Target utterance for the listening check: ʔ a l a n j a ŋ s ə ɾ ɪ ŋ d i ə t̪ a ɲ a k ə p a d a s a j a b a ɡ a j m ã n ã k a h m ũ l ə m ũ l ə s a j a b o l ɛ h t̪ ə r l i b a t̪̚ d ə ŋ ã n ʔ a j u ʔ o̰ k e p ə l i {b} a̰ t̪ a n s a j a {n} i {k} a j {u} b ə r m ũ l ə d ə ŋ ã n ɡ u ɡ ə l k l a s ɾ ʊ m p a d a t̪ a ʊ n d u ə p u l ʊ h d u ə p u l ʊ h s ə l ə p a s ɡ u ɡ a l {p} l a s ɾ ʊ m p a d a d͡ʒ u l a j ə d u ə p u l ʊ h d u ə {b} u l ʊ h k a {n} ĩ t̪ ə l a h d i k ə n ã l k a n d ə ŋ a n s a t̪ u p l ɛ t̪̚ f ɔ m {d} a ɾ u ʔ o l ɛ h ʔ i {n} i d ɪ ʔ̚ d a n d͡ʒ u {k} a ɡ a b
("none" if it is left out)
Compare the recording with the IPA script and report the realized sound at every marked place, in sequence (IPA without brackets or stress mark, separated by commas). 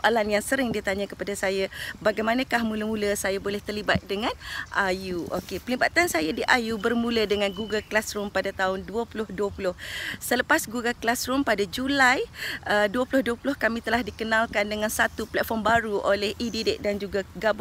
b, d, ʔ, u, k, p, m, b, d, ɡ